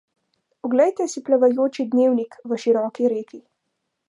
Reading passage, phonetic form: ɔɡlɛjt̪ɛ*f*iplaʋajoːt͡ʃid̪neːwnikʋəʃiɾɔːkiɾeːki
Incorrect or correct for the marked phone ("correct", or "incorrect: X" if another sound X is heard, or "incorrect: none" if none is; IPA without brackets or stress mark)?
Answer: incorrect: s